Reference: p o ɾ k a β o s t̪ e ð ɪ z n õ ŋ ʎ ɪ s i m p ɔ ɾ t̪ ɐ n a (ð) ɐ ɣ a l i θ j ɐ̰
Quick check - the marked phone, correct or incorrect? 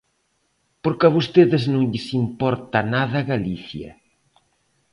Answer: correct